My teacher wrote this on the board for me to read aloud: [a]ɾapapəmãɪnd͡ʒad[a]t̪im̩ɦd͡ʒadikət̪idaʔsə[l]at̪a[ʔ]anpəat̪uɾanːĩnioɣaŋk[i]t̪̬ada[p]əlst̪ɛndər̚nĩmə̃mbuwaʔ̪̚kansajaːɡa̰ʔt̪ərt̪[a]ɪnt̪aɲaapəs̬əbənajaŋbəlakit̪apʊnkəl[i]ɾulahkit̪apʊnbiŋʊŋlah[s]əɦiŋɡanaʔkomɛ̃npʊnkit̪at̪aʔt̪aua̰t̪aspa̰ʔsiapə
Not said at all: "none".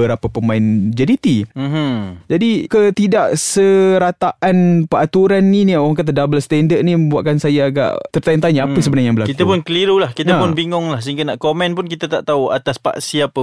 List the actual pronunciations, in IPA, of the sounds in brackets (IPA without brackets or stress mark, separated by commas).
ə, i, ɾ, ʔ, a, b, a, i, s